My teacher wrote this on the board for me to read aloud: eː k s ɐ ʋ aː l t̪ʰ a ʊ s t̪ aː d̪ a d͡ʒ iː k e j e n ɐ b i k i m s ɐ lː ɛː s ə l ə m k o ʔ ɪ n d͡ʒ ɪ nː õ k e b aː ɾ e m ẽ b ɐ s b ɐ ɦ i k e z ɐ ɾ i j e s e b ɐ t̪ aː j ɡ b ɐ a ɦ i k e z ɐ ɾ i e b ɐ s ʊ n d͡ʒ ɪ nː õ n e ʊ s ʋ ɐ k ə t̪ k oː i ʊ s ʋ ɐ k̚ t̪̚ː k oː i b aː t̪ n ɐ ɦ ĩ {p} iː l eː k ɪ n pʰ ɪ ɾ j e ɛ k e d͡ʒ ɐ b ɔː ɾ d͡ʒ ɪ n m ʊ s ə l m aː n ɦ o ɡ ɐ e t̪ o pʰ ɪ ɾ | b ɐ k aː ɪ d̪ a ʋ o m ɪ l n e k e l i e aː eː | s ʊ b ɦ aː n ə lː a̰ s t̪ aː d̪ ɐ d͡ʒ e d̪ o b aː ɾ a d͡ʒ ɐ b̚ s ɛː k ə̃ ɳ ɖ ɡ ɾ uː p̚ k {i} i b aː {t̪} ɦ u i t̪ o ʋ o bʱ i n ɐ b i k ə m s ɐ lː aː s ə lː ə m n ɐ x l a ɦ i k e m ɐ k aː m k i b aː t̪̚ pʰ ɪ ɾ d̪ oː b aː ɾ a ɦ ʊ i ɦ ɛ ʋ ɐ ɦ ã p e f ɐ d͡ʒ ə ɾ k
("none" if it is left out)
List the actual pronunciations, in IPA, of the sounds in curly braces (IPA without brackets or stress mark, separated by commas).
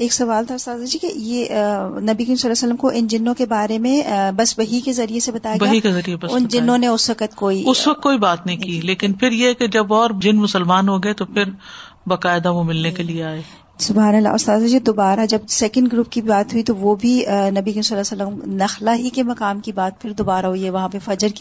k, i, t̪